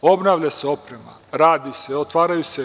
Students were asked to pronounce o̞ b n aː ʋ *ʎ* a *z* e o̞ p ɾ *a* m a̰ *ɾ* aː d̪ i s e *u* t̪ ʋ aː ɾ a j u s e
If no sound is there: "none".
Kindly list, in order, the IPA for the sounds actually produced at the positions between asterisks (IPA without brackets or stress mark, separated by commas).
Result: ʎ, s, e, ɾ, o